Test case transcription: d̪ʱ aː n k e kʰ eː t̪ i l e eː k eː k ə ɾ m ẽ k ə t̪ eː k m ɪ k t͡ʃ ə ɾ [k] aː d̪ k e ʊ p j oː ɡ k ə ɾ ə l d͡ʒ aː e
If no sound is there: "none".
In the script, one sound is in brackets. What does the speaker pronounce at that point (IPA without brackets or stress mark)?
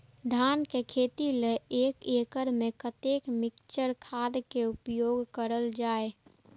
kʰ